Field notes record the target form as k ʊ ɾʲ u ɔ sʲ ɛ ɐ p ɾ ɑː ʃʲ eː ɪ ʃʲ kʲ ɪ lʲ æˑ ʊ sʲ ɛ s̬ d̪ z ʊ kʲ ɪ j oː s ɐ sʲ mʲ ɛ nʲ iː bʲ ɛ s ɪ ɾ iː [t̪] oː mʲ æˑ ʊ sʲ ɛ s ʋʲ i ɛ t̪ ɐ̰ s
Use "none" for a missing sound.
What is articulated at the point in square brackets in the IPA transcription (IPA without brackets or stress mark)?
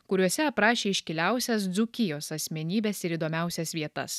d̪